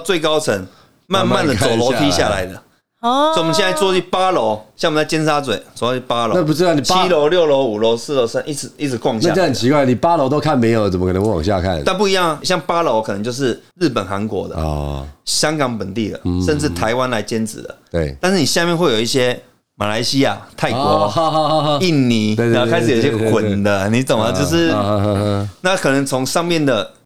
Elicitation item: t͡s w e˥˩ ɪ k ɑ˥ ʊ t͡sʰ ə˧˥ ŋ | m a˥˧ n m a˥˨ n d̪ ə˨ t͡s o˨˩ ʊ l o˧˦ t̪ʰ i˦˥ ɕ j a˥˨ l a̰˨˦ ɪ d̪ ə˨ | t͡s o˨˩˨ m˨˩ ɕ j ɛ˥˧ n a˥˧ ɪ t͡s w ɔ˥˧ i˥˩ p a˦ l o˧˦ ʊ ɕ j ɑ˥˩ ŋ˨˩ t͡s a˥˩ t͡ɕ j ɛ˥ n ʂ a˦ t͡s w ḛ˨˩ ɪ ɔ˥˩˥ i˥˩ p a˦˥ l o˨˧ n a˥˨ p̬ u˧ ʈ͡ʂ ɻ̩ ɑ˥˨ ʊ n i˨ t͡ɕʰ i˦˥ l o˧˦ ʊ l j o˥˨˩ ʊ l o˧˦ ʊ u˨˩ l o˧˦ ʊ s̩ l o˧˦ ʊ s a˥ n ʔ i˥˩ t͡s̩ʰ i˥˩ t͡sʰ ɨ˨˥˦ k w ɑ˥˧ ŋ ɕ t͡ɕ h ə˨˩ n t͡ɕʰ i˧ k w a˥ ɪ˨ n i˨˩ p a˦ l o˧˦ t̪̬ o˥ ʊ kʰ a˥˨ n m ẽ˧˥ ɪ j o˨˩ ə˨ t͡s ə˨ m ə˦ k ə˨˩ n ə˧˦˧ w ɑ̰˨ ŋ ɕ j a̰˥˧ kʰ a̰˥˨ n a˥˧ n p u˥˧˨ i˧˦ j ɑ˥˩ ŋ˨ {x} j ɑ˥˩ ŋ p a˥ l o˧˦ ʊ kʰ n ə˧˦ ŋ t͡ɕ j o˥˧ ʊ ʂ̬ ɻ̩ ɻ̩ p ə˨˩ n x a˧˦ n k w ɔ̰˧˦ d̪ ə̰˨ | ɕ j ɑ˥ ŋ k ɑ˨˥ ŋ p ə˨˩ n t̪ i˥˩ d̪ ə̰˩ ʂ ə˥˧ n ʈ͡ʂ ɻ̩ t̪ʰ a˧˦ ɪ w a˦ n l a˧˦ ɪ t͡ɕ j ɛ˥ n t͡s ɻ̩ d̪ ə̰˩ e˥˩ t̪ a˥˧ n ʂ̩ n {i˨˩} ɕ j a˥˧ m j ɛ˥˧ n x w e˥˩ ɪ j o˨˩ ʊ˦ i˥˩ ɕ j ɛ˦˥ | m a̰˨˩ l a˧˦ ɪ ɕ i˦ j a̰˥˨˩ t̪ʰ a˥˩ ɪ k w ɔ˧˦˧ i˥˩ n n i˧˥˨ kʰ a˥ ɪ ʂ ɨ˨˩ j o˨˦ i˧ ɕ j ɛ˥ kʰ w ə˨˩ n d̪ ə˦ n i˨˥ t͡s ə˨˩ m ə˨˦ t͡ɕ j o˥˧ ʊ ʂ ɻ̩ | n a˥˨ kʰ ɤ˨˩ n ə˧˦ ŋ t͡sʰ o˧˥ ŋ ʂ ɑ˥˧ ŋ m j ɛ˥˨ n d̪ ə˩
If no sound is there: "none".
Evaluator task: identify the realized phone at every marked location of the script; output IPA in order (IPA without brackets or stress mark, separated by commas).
ɕ, i˨˩